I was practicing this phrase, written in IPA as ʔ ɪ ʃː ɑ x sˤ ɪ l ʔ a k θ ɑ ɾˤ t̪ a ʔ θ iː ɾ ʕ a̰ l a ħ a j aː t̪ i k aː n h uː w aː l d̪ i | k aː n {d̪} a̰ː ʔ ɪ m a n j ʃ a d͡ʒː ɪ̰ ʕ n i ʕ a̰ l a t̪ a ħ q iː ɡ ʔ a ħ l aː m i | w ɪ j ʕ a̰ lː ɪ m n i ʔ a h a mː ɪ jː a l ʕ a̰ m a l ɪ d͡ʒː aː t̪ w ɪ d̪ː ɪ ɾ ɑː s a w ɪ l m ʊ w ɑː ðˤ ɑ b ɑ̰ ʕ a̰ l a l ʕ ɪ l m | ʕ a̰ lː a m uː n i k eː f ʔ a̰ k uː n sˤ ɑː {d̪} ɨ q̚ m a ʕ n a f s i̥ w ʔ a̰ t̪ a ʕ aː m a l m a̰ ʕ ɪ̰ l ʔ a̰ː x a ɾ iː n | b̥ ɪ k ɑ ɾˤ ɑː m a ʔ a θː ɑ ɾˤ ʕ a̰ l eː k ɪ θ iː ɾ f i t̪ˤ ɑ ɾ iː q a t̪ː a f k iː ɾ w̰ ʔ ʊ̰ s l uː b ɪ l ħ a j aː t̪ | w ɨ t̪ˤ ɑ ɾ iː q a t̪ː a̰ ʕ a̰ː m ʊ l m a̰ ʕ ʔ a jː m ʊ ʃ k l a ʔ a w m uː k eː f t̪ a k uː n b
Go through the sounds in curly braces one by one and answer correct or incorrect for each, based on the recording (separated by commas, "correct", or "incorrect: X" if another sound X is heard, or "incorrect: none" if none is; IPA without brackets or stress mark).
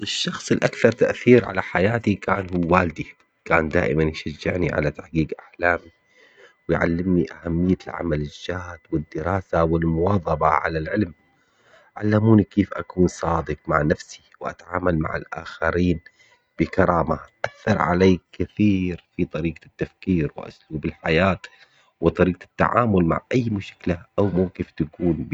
correct, correct